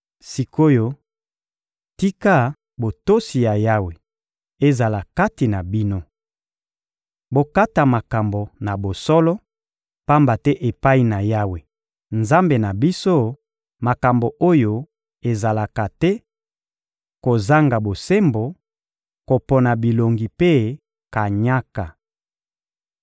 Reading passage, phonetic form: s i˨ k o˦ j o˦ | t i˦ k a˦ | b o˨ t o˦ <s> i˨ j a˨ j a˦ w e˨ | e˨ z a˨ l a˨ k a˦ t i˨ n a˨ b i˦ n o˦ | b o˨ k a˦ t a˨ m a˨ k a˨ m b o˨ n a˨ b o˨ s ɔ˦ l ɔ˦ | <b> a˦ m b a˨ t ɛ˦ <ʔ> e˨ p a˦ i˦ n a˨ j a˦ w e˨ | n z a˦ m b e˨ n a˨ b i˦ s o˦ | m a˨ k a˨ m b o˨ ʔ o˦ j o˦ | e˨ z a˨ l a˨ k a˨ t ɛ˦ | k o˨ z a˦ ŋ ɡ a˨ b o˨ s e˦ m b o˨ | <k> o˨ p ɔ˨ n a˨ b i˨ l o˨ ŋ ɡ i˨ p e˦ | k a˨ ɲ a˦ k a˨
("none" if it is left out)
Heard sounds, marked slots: s, p, ʔ, k

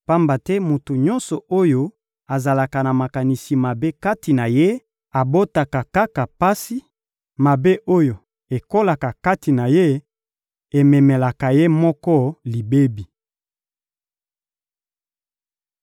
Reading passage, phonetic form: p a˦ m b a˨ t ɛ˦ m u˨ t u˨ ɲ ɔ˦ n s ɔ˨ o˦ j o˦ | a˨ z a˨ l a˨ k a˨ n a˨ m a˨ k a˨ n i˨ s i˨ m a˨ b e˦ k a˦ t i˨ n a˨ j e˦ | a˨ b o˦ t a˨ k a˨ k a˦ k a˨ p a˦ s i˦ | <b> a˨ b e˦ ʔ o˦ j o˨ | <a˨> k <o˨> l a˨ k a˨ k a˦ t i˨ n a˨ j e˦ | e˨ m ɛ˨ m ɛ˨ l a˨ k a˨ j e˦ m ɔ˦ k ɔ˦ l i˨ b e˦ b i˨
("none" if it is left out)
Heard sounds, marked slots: m, e˨, o˦

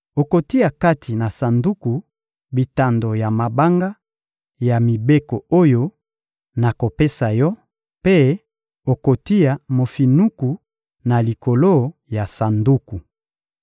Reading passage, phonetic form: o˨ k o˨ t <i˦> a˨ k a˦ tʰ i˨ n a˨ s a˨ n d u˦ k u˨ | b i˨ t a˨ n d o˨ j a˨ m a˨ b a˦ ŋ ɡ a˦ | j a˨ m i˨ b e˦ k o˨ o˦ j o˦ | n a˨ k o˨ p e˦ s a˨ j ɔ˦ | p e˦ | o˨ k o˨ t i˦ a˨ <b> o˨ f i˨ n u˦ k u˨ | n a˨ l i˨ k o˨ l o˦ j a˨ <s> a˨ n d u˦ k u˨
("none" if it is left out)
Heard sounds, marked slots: i˦, m, s

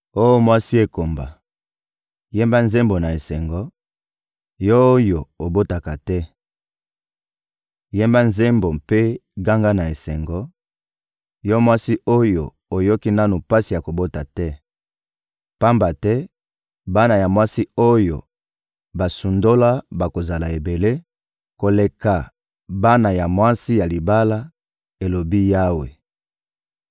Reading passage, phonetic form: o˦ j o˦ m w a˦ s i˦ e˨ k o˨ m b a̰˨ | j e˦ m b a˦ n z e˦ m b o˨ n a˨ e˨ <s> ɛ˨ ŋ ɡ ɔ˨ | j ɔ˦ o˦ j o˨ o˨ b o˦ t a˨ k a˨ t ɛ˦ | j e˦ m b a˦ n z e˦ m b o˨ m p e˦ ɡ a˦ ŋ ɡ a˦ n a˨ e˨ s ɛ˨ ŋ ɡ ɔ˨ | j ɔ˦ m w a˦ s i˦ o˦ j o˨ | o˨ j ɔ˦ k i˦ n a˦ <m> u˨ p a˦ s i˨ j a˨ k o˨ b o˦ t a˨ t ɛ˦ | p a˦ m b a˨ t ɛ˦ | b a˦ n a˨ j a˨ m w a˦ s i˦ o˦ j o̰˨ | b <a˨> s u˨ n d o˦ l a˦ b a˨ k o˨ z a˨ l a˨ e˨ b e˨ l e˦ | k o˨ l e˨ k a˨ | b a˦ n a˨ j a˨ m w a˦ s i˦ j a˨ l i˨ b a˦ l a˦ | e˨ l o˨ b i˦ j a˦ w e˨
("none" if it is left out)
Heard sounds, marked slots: s, n, a˨

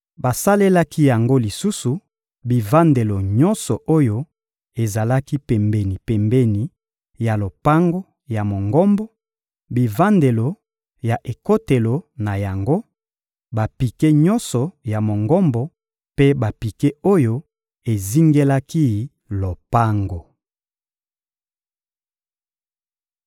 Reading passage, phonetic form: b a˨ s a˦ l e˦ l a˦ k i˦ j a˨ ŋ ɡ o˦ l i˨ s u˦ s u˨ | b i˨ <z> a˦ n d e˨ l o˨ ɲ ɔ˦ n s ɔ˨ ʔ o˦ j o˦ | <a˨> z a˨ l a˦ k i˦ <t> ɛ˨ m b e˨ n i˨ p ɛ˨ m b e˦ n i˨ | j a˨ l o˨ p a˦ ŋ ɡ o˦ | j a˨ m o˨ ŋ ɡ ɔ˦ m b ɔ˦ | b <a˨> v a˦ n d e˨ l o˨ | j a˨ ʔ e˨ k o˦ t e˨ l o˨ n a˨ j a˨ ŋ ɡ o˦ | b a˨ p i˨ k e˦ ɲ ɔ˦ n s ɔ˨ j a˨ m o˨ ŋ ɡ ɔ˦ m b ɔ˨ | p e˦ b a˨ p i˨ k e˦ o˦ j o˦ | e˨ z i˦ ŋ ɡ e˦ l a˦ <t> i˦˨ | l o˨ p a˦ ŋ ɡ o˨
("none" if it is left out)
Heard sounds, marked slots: v, e˨, p, i˨, k

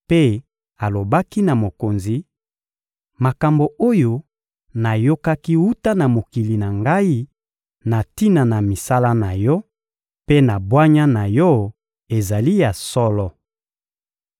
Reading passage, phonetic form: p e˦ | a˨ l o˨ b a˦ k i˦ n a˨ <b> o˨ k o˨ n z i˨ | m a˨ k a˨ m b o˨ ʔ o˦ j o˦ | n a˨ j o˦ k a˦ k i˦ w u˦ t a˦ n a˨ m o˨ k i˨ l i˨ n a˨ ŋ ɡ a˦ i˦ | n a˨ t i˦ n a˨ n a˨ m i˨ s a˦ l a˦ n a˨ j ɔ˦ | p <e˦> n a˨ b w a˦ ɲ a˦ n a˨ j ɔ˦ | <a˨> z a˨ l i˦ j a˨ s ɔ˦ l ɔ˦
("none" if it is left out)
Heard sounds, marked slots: m, e˦, e˨

